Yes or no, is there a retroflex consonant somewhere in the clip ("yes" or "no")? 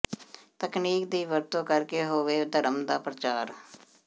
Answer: no